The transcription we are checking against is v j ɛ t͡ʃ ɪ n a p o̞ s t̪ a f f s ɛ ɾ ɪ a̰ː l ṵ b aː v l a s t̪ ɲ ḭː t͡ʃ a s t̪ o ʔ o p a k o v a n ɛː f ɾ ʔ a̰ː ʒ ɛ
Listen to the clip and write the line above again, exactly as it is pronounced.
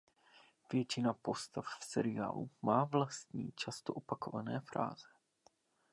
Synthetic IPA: v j ɛ t͡ʃ ɪ n a p o̞ s t̪ a f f s ɛ ɾ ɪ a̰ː l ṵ m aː v l a s t̪ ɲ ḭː t͡ʃ a s t̪ o ʔ o p a k o v a n ɛː f ɾ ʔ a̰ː z ɛ